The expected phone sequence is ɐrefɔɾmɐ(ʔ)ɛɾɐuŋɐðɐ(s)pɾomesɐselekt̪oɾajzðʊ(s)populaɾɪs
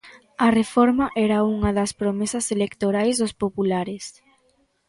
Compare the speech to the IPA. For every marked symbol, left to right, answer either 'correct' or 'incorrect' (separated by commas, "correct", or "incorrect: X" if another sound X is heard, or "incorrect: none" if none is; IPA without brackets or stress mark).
correct, correct, correct